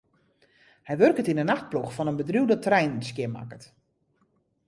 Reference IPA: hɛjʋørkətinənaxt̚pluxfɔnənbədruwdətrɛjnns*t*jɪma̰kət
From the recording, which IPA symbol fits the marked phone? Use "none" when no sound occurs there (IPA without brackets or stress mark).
k